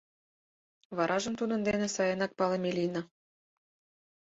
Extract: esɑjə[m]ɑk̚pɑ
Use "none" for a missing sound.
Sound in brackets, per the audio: n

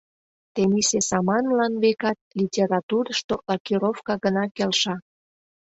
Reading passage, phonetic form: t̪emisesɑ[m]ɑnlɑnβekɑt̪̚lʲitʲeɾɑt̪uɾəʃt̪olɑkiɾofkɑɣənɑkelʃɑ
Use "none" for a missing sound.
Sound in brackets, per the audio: m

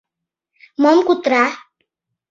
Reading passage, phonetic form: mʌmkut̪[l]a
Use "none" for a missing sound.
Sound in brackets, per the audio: ɾ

